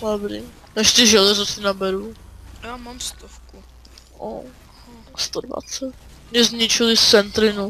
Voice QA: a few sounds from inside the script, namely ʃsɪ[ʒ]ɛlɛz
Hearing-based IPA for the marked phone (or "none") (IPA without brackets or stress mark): ʒ